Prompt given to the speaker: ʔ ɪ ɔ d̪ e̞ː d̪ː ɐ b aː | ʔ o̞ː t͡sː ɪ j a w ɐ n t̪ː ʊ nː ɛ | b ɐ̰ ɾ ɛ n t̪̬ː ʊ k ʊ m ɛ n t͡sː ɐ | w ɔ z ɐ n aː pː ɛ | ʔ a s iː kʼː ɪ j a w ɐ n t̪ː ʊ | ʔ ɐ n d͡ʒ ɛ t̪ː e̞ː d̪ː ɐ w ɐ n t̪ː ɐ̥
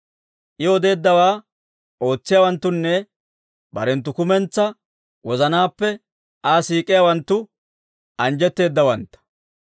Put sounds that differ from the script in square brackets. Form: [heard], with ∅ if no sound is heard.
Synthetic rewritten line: ʔ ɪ ɔ d̪ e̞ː d̪ː ɐ [w] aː | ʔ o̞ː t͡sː ɪ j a w ɐ n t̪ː ʊ nː ɛ | b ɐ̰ ɾ ɛ n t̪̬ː ʊ k ʊ m ɛ n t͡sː ɐ | w ɔ z ɐ n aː pː ɛ | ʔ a s iː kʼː ɪ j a w ɐ n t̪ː ʊ | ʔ ɐ n d͡ʒ ɛ t̪ː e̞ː d̪ː ɐ w ɐ n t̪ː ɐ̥